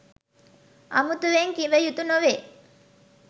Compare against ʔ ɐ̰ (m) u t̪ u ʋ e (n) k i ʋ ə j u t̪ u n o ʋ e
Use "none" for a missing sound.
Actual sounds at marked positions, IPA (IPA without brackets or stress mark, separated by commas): m, ŋ